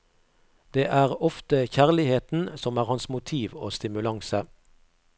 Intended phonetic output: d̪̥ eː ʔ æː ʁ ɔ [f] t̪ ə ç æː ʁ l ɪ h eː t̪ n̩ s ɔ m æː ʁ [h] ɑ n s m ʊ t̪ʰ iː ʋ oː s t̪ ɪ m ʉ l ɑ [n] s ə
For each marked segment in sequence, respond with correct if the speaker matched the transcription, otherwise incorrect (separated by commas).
correct, correct, incorrect